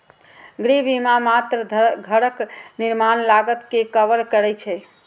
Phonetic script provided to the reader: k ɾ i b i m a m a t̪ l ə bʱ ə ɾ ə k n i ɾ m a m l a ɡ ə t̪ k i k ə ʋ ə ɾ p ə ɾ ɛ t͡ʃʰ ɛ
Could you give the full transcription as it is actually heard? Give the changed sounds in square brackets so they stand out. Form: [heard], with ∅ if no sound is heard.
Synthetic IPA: [ɡ] ɾ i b i m a m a t̪ [ɾ] ə [ɡʱ] ə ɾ ə k n i ɾ m a [n] l a ɡ ə t̪ k [e] k ə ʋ ə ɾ [k] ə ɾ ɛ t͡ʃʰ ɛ